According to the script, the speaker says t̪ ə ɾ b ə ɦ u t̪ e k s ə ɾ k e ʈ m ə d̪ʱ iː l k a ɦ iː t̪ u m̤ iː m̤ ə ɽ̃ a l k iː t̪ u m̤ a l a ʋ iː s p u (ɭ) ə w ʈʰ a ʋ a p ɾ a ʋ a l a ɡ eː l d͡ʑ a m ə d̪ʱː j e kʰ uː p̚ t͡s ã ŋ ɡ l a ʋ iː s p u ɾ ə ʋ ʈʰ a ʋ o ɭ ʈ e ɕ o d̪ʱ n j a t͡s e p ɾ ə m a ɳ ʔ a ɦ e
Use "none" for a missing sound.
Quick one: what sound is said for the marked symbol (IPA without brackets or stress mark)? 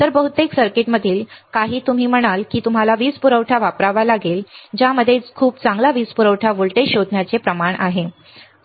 ɾ